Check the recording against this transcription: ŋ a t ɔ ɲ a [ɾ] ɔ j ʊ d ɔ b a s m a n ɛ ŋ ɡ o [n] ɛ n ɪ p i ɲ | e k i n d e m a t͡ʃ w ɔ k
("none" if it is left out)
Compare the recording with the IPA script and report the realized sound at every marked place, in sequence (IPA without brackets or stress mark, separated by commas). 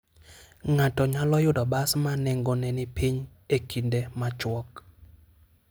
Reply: l, n